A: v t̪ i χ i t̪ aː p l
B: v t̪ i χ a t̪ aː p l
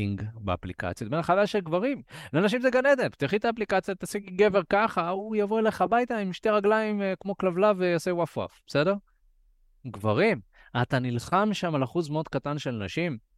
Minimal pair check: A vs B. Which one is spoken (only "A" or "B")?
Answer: A